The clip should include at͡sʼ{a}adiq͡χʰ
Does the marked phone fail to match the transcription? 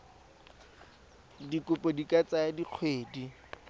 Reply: no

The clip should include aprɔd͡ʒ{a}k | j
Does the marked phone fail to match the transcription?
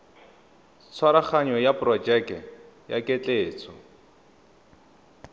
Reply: yes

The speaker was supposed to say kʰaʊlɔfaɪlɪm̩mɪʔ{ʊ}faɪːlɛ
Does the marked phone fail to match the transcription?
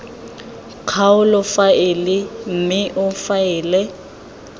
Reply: no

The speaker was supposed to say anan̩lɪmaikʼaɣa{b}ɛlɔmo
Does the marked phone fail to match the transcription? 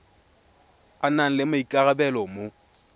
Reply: no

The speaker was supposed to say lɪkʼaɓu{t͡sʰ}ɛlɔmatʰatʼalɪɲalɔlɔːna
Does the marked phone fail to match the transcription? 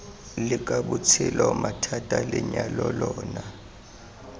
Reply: no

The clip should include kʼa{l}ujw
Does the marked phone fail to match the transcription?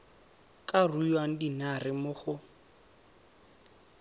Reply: yes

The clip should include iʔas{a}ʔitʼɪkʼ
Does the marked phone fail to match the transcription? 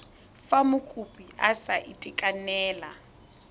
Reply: no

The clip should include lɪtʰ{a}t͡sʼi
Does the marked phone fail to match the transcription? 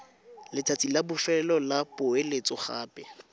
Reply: no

